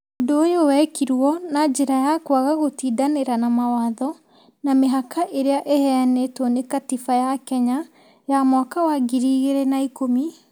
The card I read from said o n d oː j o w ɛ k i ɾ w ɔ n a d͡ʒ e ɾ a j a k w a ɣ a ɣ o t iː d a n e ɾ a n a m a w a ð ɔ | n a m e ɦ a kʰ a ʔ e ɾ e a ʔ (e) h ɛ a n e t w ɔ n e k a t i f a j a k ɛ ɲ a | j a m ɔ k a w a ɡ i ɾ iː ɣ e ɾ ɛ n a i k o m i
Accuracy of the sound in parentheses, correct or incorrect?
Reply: correct